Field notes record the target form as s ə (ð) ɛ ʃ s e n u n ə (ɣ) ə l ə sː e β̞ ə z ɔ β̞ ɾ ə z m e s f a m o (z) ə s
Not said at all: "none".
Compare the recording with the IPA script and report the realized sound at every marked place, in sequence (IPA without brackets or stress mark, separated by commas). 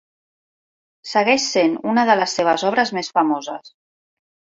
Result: ɣ, ð, z